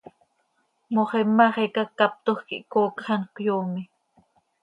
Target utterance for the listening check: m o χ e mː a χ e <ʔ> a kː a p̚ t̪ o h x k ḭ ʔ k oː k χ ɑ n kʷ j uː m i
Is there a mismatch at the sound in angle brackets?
yes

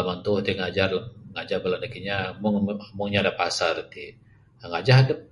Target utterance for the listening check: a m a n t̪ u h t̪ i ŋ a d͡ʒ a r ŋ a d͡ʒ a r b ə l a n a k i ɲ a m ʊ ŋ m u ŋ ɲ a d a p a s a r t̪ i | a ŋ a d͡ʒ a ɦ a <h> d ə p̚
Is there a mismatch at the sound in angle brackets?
yes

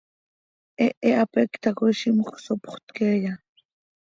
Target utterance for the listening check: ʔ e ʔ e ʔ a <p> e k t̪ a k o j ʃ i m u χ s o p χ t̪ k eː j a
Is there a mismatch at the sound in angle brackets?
no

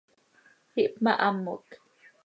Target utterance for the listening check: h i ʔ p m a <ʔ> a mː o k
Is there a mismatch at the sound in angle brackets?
no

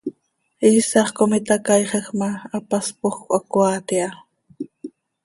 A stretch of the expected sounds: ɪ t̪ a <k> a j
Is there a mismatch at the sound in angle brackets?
no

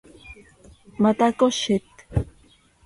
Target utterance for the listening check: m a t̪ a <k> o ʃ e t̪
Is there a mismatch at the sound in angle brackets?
no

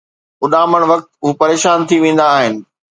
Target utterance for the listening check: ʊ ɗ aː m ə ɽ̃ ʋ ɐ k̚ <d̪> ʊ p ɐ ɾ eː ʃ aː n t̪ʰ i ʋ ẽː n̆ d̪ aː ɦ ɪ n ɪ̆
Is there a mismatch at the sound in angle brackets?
yes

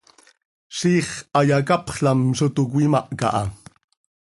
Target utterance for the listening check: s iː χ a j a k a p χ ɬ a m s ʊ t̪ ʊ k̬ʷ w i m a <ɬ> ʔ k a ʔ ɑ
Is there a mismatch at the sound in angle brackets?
yes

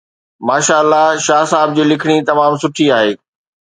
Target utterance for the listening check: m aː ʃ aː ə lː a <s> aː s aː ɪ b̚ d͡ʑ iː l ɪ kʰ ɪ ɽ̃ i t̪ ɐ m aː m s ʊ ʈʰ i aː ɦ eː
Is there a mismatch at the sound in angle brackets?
yes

